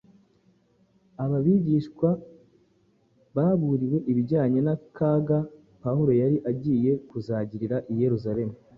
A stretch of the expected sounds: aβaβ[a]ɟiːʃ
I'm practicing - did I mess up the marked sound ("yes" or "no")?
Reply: yes